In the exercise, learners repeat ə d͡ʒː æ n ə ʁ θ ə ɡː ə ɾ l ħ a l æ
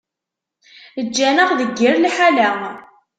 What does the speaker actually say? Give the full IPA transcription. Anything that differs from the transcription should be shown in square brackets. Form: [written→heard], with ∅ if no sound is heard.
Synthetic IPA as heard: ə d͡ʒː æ n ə ʁ [θ→ð] ə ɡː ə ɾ l ħ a l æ